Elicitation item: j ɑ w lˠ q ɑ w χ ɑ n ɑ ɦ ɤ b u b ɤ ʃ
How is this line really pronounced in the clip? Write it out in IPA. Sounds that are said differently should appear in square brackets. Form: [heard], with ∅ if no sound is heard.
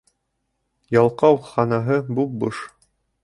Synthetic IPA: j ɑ [∅] lˠ q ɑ w χ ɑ n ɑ ɦ ɤ b u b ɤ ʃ